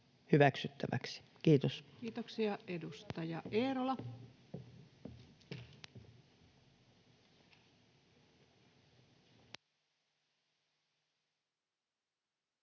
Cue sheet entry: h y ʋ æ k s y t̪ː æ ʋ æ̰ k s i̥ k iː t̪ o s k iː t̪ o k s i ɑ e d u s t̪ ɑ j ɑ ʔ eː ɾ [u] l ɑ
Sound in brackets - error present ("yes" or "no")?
yes